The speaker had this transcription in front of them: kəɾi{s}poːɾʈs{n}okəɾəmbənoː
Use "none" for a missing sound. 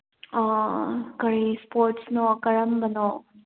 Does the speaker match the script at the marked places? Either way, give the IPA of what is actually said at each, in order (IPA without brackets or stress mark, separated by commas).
s, n